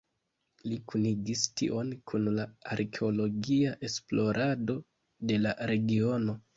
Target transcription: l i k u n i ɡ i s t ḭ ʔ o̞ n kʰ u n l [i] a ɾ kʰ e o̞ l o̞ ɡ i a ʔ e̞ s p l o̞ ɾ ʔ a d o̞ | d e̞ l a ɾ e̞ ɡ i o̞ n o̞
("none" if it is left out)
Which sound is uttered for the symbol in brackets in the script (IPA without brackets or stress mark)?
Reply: a